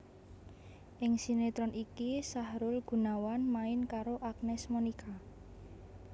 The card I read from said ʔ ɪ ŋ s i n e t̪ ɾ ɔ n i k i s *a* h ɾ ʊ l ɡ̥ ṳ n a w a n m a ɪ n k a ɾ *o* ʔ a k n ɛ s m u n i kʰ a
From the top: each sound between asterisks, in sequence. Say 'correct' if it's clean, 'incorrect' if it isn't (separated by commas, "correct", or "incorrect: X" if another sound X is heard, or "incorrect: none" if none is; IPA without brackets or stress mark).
correct, correct